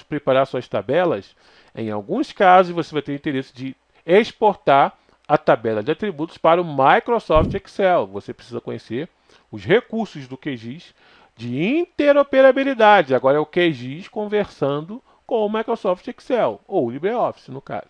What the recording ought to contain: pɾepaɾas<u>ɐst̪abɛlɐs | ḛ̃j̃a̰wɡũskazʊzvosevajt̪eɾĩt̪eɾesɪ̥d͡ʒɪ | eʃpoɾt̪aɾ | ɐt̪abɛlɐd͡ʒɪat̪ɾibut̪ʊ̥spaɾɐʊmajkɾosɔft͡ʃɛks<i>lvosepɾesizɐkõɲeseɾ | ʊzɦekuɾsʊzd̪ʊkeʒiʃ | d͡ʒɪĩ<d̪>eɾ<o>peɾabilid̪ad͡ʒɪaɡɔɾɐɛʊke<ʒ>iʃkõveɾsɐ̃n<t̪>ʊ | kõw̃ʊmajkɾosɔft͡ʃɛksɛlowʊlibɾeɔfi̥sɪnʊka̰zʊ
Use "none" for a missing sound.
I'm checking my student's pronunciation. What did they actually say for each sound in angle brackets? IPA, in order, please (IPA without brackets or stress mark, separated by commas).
u, ɛ, t̪, o, ʒ, d̪